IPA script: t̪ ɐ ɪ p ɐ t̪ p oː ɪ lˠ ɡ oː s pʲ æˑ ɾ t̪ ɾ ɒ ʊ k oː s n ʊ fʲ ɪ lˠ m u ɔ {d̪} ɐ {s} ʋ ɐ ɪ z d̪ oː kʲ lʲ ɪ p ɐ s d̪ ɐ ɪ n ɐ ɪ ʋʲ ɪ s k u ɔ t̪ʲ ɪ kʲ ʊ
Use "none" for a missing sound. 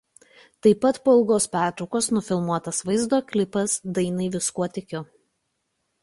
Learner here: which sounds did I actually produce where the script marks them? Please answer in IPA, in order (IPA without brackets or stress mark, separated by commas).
t̪, s